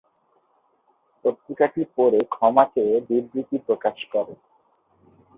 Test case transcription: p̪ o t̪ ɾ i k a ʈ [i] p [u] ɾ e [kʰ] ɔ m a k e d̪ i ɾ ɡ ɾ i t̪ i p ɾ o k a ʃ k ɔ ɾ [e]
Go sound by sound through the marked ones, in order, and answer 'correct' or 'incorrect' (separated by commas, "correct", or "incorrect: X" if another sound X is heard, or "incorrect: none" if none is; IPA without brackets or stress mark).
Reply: correct, incorrect: o, correct, correct